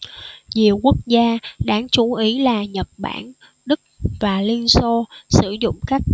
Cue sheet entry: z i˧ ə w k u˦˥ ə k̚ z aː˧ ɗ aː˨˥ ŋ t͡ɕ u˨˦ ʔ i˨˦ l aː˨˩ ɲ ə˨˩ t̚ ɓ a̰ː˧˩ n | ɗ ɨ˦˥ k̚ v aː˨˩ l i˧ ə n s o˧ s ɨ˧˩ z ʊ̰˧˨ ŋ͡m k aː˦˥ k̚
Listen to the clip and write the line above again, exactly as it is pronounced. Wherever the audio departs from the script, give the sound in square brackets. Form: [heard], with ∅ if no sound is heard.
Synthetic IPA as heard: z [i˨˩] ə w k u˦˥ ə k̚ z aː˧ ɗ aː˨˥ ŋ t͡ɕ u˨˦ ʔ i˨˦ l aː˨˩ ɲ ə˨˩ t̚ ɓ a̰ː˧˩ n | ɗ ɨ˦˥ k̚ v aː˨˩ l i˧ ə n s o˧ s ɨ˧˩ z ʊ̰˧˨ ŋ͡m k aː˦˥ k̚